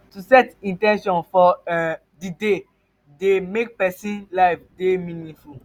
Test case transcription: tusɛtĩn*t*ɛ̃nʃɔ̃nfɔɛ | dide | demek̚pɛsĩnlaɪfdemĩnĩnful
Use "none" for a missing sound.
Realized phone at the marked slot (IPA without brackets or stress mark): t